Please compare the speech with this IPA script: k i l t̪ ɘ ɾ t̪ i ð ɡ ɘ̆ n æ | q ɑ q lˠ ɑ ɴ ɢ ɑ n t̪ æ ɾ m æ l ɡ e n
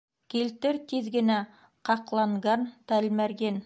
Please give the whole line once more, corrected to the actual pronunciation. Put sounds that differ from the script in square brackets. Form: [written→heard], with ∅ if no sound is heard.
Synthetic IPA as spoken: k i l t̪ ɘ ɾ t̪ i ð ɡ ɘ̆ n æ | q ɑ q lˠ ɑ ɴ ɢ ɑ n t̪ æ [ɾ→l] m æ [l→ɾ] ɡ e n